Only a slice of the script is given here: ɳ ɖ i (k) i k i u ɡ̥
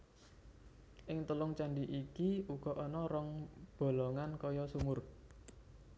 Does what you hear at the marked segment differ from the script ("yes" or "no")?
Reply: yes